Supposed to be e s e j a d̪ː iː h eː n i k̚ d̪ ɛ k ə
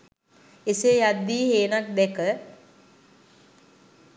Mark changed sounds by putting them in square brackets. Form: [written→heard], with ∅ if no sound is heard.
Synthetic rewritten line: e s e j a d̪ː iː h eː n [i→a] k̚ d̪ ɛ k ə

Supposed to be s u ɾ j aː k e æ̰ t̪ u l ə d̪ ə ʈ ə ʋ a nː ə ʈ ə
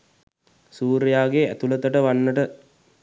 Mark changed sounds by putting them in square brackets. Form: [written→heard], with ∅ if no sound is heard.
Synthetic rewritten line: s [u→uː] ɾ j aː [k→ɡ] e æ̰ t̪ u l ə [d̪→t̪] ə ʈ ə ʋ a nː ə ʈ ə

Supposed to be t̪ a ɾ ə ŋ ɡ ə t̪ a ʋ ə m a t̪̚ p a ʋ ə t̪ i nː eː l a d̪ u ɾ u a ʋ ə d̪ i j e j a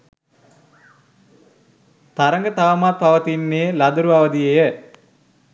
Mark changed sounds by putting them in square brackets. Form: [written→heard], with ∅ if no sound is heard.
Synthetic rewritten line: t̪ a ɾ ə ŋ ɡ ə t̪ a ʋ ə m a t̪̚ p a ʋ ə t̪ i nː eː l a d̪ u ɾ u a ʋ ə d̪ i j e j [a→ə]

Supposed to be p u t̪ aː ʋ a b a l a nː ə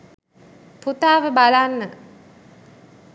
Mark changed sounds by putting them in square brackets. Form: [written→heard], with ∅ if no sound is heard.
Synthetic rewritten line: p u t̪ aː ʋ [a→ə] b a l a nː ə

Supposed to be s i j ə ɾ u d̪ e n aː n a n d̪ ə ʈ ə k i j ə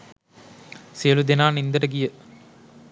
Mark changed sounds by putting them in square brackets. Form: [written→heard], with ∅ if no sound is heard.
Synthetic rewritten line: s i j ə [ɾ→l] u d̪ e n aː n [a→i] n d̪ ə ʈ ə [k→ɡ] i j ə

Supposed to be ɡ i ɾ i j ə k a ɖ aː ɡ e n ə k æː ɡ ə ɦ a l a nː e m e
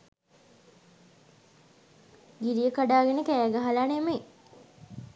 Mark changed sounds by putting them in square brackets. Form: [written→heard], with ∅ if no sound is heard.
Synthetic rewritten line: ɡ i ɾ i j ə k a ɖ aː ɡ e n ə k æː ɡ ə ɦ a l a [nː→n] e m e

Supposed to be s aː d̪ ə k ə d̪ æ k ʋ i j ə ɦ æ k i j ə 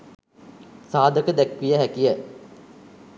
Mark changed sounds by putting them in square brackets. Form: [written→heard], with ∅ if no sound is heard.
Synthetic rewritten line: s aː d̪ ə k ə d̪ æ k ʋ i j ə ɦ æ k i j ə

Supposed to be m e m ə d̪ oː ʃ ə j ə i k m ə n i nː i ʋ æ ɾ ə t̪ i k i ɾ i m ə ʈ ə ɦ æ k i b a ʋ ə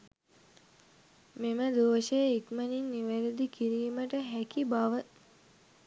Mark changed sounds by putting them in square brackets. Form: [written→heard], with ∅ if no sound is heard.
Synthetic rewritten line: m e m ə d̪ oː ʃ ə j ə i k m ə n i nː i ʋ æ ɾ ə [t̪→d̪] i k i ɾ [i→iː] m ə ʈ ə ɦ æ k i b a ʋ ə

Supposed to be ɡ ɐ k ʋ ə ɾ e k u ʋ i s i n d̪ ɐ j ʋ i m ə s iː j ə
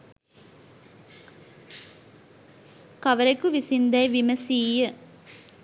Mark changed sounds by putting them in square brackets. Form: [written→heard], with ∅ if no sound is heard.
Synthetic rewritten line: [ɡ→k] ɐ [k→∅] ʋ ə ɾ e k u ʋ i s i n d̪ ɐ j ʋ i m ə s iː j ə

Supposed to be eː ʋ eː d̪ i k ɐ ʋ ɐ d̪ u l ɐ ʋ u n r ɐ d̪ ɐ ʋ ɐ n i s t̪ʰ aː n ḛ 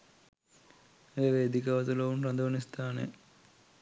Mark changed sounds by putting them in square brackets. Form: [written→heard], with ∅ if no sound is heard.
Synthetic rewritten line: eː ʋ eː d̪ i k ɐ ʋ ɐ [d̪→t̪] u l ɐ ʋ u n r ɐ d̪ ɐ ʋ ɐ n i s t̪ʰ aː n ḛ

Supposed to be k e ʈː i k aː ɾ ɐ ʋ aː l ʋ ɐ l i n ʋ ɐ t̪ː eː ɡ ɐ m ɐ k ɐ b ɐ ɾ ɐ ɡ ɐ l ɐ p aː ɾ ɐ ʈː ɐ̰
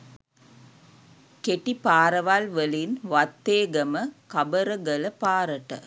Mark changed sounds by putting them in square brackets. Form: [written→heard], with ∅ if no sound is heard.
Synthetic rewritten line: k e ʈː i [k→p] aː ɾ ɐ ʋ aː l ʋ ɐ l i n ʋ ɐ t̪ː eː ɡ ɐ m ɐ k ɐ b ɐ ɾ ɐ ɡ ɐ l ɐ p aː ɾ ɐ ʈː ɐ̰

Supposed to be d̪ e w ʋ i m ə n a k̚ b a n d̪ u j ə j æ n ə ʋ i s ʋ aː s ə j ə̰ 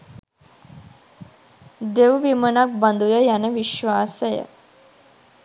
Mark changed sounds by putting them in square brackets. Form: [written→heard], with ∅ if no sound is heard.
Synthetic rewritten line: d̪ e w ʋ i m ə n a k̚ b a n d̪ u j ə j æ n ə ʋ i [s→ʃ] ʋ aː s ə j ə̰

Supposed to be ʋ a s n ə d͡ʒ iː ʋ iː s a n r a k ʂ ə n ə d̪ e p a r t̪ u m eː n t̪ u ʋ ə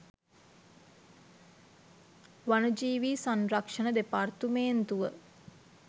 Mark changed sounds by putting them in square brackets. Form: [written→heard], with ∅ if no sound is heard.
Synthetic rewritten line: ʋ a [s→∅] n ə d͡ʒ iː ʋ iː s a n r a k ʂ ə n ə d̪ e p a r t̪ u m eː n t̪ u ʋ ə

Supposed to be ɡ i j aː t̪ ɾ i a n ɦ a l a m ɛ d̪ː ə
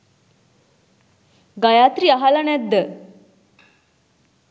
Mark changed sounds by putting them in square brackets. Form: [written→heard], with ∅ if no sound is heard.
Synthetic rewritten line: ɡ [i→a] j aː t̪ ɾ i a [n→∅] ɦ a l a [m→n] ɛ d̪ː ə

